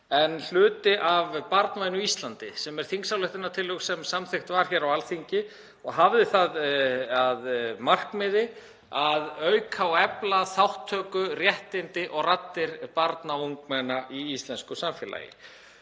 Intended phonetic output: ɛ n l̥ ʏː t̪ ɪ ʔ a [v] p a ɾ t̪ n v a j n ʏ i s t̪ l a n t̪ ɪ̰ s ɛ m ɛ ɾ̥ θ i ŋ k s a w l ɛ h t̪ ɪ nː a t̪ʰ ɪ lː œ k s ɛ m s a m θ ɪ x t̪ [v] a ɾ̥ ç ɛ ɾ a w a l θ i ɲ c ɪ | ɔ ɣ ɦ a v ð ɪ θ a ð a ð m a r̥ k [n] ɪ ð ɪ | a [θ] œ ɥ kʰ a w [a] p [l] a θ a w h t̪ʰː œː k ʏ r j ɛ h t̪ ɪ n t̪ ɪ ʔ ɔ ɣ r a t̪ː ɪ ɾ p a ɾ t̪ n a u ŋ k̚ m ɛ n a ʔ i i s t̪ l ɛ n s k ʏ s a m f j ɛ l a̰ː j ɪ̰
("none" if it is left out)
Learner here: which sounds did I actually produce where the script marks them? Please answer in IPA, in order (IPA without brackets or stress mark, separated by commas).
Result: v, v, m, ð, ɛ, l